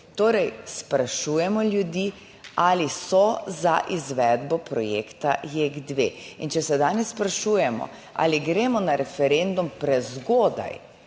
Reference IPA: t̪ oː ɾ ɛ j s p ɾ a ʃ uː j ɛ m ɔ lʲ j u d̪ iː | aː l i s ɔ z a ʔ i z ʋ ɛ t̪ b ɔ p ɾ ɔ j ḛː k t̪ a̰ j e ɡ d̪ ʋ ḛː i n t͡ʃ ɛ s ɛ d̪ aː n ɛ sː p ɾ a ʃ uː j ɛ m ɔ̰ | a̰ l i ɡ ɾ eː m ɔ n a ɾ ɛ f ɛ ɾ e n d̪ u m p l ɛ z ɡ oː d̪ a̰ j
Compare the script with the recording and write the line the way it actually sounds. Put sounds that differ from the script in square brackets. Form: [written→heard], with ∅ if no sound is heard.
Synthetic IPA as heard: t̪ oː ɾ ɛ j s p ɾ a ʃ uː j ɛ m ɔ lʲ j u d̪ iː | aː l i s ɔ z a ʔ i z ʋ ɛ [t̪→d̪] b ɔ p ɾ ɔ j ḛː k t̪ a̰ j e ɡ d̪ ʋ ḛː i n t͡ʃ ɛ s ɛ d̪ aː n ɛ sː p ɾ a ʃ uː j ɛ m ɔ̰ | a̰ l i ɡ ɾ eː m ɔ n a ɾ ɛ f ɛ ɾ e n d̪ u m p [l→ɾ] ɛ z ɡ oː d̪ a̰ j